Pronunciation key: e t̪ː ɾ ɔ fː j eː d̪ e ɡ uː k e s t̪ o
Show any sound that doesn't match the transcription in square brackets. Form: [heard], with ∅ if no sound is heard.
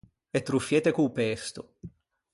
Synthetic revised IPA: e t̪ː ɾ [u] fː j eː [t̪] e [k] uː [p] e s t̪ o